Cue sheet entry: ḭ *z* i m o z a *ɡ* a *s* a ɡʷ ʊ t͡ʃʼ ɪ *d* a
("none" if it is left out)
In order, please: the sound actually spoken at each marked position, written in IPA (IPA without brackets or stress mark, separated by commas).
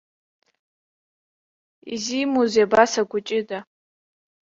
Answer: z, b, s, d